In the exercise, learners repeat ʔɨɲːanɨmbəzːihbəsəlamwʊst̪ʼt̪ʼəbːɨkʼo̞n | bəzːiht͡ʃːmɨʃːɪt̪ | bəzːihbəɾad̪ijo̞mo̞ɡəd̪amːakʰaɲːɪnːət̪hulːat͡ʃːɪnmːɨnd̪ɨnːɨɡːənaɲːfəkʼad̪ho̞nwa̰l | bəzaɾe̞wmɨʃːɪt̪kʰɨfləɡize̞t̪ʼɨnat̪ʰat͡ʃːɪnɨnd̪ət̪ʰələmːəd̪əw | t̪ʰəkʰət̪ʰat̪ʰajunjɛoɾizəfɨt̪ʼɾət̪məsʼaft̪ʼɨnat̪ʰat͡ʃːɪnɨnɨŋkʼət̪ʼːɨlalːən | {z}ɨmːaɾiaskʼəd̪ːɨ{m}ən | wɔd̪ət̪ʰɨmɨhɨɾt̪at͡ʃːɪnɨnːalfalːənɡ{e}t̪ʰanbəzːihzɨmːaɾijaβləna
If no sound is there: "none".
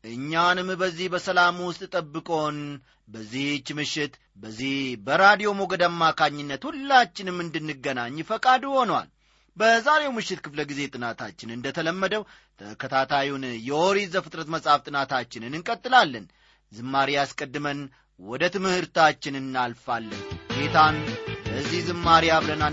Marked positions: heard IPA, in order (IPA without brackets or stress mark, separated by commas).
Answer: z, m, e